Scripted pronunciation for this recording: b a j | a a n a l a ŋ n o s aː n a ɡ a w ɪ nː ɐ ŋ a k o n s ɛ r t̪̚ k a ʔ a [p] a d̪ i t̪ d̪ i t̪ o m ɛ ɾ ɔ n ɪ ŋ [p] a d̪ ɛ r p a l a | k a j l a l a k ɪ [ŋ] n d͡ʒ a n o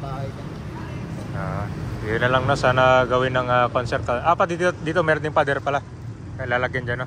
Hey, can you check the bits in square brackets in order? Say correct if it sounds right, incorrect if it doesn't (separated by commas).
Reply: correct, correct, incorrect